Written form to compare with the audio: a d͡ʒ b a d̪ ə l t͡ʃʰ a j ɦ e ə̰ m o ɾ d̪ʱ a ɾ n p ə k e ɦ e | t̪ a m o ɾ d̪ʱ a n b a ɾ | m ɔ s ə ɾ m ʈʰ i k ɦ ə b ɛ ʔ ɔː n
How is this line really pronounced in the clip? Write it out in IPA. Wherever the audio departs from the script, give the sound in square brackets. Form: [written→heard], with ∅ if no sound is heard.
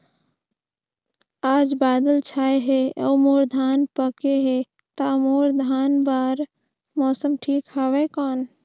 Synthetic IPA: a d͡ʒ b a d̪ ə l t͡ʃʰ a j ɦ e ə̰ m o ɾ d̪ʱ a [ɾ→∅] n p ə k e ɦ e | t̪ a m o ɾ d̪ʱ a n b a ɾ | m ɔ s ə [ɾ→∅] m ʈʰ i k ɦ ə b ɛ [ʔ→k] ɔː n